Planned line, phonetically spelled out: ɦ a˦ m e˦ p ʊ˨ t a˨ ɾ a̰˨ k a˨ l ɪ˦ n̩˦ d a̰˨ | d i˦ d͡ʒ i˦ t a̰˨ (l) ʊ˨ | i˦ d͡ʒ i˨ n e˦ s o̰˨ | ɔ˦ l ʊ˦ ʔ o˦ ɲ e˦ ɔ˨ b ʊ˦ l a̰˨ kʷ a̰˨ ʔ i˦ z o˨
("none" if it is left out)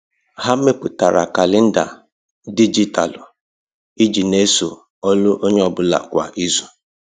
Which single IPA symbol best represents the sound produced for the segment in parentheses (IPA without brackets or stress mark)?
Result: l